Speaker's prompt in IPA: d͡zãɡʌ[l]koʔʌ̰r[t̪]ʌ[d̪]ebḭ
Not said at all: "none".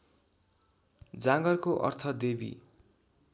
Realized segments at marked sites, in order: r, t̪ʰ, d̪

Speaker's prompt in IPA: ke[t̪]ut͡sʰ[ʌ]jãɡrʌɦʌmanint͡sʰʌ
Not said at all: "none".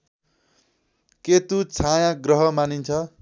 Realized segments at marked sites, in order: t̪, a

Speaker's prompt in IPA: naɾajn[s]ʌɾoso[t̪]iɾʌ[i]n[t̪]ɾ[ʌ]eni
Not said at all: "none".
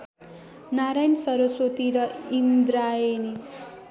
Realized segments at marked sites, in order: s, t̪, i, d̪, a

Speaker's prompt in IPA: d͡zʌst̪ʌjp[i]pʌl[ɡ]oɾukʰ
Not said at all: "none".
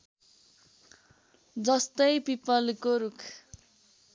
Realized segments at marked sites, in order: i, k

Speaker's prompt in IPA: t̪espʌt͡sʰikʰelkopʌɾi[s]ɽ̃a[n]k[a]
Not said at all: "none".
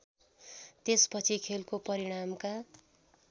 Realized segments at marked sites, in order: none, m, a

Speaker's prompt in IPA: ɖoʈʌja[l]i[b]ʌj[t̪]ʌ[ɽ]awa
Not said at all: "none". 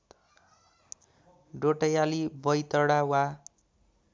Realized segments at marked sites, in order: l, b, t̪, ɽ

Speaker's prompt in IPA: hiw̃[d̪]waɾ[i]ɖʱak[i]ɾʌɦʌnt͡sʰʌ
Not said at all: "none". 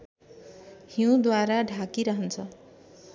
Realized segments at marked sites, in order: d̪, a, i

